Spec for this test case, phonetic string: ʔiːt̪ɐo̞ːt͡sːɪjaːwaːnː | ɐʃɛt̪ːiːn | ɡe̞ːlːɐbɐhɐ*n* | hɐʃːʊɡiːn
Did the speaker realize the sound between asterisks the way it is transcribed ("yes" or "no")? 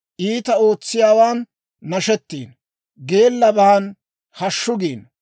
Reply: yes